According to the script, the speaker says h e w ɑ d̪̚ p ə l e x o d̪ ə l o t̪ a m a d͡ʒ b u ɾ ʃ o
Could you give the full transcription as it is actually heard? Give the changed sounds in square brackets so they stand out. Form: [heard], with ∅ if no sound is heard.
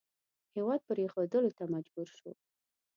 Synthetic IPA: h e w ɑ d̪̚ p ə [ɾ] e x o d̪ ə l o t̪ a m a d͡ʒ b u ɾ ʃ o